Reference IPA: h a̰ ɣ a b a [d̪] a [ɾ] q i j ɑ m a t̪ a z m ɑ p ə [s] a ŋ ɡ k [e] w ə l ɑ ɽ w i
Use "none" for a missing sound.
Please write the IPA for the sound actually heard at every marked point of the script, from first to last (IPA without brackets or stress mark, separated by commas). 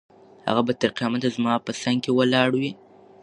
t̪, ɾ, s, e